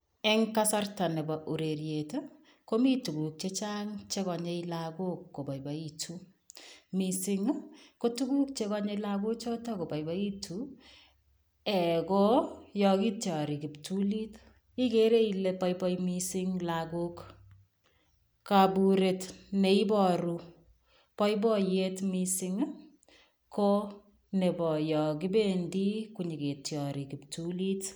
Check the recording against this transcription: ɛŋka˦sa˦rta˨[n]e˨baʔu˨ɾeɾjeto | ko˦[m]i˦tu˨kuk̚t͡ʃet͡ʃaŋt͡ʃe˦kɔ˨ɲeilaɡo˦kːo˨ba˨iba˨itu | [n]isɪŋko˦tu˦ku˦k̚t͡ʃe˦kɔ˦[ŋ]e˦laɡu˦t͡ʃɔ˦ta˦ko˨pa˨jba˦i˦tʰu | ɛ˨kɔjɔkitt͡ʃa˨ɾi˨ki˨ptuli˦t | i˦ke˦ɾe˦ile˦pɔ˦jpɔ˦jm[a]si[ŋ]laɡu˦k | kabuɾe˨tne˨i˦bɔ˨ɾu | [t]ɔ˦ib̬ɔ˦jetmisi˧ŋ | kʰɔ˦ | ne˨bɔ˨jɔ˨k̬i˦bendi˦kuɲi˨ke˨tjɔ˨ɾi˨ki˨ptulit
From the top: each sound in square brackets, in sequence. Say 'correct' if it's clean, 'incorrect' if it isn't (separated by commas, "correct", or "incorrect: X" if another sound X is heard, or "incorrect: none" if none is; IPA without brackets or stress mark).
correct, correct, incorrect: m, incorrect: ɲ, incorrect: i, correct, incorrect: p